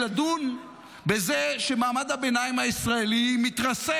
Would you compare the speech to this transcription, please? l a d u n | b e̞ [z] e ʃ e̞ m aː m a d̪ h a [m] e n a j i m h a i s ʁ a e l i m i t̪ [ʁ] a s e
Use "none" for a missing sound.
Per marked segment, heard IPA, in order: z, b, ʁ

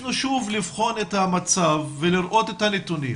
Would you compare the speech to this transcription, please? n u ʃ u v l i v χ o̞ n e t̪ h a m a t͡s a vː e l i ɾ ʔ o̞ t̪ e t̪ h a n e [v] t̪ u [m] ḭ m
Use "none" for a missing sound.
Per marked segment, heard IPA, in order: none, n

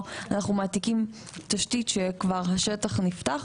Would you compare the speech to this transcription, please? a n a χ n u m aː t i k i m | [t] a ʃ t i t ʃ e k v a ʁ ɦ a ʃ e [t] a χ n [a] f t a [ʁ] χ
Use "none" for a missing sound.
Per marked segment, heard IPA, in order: t, t, i, none

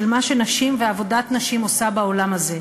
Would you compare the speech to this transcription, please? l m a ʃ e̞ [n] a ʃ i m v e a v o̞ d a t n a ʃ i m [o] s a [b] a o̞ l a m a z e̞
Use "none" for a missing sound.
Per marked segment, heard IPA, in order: n, o, b

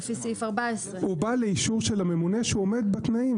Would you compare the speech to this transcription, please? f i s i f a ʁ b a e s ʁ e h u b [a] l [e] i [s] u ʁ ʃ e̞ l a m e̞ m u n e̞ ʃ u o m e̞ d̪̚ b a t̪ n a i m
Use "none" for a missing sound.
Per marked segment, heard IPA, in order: a, e, ʃ

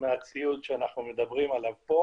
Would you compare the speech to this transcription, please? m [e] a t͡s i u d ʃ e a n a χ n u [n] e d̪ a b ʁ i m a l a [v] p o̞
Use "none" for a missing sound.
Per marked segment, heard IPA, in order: e, m, v

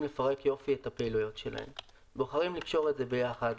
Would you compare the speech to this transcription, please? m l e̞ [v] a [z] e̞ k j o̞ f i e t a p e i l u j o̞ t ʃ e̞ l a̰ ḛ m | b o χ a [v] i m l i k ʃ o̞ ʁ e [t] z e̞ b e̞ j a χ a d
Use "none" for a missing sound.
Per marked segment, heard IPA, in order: f, ʁ, ʁ, t

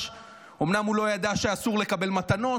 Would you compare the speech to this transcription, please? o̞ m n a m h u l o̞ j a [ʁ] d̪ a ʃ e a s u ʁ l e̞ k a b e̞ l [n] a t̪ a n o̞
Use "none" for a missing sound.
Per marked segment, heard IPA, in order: none, m

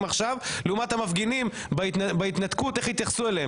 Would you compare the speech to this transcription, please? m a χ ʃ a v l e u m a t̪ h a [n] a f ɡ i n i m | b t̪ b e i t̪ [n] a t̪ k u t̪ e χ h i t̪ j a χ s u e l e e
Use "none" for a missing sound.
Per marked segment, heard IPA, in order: m, n

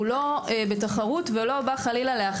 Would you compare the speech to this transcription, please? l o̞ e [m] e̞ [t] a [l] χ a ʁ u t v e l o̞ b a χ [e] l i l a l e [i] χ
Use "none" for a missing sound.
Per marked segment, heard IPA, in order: b, t, none, a, a

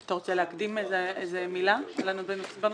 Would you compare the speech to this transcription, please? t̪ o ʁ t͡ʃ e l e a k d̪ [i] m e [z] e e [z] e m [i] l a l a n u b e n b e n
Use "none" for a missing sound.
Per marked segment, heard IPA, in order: i, z, z, i

